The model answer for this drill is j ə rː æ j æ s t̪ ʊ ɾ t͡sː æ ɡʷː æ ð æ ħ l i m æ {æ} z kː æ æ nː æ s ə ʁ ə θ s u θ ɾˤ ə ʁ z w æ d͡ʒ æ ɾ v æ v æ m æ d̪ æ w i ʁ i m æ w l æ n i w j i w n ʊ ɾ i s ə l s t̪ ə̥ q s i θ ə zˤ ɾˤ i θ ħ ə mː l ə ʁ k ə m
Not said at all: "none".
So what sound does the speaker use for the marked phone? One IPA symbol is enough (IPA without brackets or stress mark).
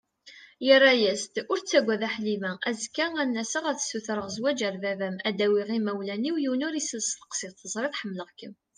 æ